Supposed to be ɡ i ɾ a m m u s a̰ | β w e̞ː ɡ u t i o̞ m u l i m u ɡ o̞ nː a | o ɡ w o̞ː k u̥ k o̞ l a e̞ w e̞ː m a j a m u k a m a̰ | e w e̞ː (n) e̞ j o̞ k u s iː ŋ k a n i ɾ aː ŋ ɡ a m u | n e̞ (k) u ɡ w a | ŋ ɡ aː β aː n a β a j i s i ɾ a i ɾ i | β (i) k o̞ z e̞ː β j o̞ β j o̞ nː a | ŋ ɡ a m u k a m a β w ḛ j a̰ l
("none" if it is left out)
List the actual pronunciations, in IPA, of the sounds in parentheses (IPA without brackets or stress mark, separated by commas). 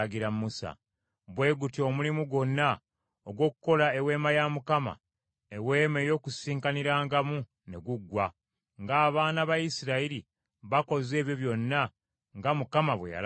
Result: m, ɡ, a